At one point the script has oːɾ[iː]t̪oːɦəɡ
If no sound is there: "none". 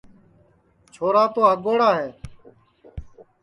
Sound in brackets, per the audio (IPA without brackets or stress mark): aː